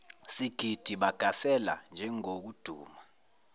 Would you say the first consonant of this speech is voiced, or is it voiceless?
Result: voiceless